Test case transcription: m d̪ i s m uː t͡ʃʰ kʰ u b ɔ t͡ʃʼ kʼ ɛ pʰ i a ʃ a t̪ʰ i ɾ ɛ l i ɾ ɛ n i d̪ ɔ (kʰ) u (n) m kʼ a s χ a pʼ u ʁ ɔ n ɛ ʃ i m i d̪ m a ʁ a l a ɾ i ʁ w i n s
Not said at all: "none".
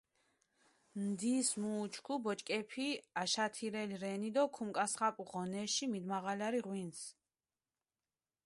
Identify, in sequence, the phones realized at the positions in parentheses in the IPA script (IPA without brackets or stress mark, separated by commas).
kʰ, none